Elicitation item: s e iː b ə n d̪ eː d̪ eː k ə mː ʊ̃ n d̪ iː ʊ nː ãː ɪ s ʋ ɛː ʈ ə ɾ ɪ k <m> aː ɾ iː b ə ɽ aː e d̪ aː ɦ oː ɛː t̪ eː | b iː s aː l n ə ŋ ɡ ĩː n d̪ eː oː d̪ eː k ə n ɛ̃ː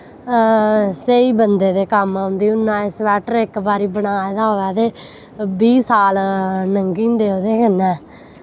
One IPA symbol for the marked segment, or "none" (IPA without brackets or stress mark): b